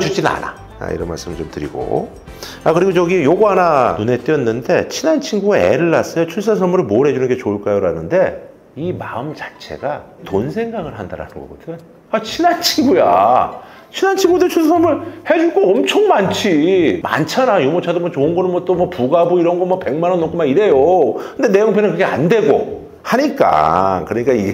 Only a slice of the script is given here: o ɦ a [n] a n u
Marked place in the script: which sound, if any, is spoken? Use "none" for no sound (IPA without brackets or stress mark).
n